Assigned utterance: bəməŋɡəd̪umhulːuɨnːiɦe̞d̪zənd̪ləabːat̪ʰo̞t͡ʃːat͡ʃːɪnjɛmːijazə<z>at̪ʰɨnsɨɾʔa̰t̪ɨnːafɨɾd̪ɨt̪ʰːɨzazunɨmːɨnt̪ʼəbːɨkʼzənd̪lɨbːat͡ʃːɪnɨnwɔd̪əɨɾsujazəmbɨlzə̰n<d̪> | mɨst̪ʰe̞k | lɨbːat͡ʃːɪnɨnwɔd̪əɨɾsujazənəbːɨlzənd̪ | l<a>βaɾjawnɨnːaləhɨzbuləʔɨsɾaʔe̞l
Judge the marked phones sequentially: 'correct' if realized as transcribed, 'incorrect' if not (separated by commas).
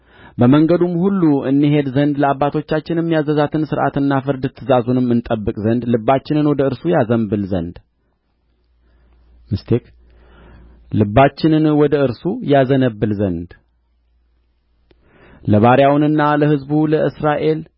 correct, correct, incorrect